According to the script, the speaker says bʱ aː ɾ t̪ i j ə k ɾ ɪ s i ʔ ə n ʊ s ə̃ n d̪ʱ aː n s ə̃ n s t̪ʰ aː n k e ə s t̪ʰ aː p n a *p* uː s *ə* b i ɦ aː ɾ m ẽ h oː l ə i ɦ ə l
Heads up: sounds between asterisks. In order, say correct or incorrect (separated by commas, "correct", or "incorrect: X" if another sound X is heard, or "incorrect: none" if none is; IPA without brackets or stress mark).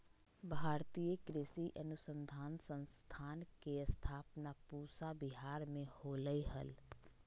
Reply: correct, incorrect: a